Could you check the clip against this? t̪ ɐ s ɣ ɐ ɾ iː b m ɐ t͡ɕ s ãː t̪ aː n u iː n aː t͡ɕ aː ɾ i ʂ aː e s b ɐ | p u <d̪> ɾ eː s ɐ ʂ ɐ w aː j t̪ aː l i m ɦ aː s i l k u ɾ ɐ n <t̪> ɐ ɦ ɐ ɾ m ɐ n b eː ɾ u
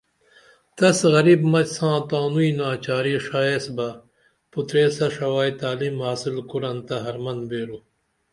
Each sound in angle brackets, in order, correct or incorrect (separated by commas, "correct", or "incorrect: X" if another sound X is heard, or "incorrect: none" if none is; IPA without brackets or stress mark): incorrect: t̪, correct